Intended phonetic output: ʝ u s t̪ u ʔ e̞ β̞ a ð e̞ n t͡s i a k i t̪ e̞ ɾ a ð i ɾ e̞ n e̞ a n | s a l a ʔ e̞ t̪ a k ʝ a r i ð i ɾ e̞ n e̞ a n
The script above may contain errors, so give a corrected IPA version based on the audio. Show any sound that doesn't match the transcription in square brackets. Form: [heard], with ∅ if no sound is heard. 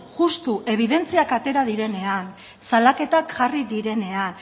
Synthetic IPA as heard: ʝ u s t̪ u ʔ e̞ β̞ [i] ð e̞ n t͡s i a k [a] t̪ e̞ ɾ a ð i ɾ e̞ n e̞ a n | s a l a [k] e̞ t̪ a k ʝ a r i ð i ɾ e̞ n e̞ a n